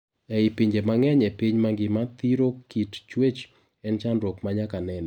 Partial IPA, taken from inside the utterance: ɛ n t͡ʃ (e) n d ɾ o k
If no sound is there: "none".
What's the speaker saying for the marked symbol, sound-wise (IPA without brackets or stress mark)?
a